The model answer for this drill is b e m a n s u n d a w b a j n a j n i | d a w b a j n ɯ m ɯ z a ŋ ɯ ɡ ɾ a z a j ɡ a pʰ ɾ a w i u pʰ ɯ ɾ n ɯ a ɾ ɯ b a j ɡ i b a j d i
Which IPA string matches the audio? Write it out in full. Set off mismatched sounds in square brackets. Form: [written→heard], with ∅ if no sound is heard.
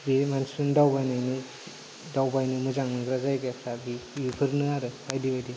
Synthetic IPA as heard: b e m a n s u n d a w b a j n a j n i | d a w b a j n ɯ m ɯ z a ŋ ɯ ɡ ɾ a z a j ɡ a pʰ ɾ a [w→b] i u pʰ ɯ ɾ n ɯ a ɾ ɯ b a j [ɡ→d] i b a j d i